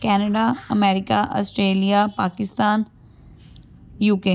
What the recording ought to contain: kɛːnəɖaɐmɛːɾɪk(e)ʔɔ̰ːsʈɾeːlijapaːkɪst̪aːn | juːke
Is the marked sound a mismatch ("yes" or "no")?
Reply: yes